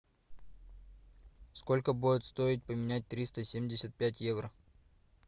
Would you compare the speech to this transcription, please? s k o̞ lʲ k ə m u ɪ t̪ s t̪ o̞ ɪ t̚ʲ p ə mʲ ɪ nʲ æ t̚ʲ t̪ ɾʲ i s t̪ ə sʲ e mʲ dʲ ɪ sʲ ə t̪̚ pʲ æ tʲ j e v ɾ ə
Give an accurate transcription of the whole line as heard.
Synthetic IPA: s k o̞ lʲ k ə b u ɪ t̪ s t̪ o̞ ɪ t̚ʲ p ə mʲ ɪ nʲ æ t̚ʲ t̪ ɾʲ i s t̪ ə sʲ e mʲ dʲ ɪ sʲ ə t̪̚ pʲ æ tʲ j e v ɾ ə